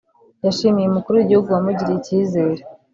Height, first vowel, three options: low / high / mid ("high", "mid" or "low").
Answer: low